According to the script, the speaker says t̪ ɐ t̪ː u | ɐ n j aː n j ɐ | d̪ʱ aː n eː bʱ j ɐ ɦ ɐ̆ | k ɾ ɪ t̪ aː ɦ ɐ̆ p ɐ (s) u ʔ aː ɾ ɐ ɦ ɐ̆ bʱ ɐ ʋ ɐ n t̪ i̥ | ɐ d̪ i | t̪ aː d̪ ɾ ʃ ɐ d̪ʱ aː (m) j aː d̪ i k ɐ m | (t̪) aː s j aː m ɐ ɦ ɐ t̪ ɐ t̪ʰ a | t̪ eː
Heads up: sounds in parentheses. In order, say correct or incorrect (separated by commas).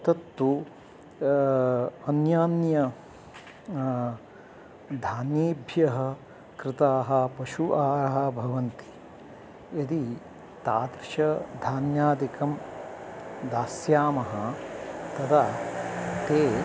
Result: incorrect, incorrect, incorrect